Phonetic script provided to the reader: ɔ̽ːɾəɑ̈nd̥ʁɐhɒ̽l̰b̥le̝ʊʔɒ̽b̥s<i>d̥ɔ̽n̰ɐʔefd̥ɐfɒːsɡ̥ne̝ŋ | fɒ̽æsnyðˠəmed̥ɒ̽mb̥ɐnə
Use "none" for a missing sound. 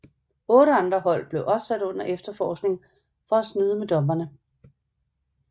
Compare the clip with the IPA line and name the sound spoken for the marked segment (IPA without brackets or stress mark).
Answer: æ